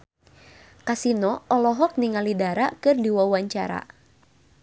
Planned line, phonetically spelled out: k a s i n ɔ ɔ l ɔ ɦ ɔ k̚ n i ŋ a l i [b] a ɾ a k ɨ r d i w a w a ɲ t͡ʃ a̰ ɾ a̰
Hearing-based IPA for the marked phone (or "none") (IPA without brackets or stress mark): d